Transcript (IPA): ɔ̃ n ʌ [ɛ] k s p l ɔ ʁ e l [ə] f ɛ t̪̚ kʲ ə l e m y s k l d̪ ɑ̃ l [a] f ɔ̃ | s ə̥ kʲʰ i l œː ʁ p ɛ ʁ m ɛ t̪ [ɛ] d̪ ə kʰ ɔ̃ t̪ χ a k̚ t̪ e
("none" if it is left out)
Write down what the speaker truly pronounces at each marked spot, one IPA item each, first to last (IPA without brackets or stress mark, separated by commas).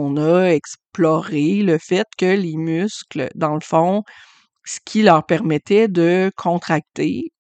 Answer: ɛ, ə, ə, ɛ